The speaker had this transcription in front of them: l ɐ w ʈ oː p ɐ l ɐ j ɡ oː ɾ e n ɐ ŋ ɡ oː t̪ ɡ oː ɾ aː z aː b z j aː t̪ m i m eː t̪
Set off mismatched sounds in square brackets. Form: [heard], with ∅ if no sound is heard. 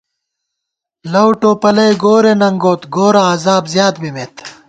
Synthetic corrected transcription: l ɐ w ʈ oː p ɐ l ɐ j ɡ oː ɾ e n ɐ ŋ ɡ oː t̪ ɡ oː ɾ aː z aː b z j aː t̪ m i m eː t̪